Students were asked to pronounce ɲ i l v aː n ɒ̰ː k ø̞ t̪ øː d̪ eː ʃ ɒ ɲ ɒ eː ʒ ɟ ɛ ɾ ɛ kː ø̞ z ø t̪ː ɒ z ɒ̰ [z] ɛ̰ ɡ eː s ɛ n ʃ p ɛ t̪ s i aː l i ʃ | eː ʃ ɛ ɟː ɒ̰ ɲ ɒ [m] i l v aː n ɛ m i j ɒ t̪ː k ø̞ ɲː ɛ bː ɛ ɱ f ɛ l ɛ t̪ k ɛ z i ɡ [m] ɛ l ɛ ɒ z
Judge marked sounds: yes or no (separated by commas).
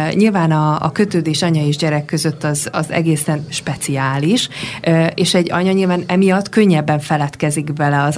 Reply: yes, no, no